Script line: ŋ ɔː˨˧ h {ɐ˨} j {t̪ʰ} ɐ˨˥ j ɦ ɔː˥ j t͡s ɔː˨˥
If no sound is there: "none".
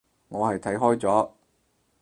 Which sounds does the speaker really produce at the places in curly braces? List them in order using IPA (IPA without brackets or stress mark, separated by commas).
ɐ˨, t̪ʰ